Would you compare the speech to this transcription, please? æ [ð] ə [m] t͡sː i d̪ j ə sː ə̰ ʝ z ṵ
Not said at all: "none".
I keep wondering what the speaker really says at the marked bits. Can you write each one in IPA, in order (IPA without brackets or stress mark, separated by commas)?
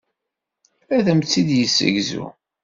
ð, m